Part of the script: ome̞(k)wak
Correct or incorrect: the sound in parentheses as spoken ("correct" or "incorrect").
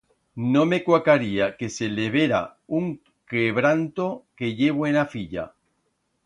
correct